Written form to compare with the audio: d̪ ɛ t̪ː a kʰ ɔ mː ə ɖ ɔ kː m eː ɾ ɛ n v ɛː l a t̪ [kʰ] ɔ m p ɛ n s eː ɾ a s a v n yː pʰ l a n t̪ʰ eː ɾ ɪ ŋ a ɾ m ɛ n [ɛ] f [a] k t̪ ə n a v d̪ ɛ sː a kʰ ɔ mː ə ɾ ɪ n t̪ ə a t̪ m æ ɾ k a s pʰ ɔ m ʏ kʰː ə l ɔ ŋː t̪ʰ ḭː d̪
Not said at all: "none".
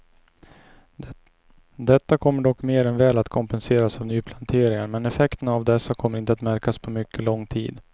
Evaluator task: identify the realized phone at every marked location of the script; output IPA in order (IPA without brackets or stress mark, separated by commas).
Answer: kʰ, ɛ, ɛ